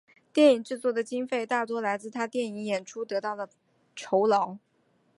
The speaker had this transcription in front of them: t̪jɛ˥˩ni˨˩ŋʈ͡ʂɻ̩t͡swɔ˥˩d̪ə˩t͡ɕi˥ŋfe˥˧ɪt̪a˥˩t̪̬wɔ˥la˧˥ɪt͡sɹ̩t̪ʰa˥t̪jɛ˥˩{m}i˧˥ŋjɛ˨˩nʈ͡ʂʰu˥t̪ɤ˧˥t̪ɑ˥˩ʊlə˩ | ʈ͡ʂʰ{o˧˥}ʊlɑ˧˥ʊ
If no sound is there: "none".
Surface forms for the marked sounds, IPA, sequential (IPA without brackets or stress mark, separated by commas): n, o˧˥